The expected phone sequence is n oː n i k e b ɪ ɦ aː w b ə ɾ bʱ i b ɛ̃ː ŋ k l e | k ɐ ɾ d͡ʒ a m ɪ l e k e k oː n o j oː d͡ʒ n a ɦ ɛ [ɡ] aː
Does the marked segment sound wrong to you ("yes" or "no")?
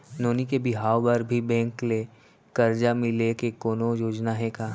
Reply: yes